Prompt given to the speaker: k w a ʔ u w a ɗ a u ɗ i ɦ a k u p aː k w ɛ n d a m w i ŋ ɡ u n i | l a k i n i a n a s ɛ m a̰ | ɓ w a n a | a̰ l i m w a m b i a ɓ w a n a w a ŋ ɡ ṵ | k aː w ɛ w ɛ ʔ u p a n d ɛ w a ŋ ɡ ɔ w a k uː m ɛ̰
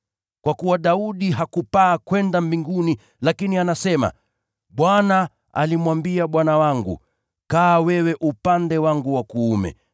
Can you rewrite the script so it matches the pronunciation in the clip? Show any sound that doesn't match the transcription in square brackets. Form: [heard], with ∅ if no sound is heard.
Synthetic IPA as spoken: k w a [k] u w a ɗ a u ɗ i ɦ a k u p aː k w ɛ n d a m [b] i ŋ ɡ u n i | l a k i n i a n a s ɛ m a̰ | ɓ w a n a | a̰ l i m w a m b i a ɓ w a n a w a ŋ ɡ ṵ | k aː w ɛ w ɛ ʔ u p a n d ɛ w a ŋ ɡ [u] w a k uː m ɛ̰